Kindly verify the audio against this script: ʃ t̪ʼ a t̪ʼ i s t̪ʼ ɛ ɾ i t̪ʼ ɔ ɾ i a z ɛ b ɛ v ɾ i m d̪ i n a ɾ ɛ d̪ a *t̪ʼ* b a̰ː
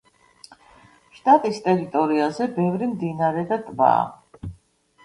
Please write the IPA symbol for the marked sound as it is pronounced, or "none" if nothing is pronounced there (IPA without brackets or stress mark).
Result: t̪ʼ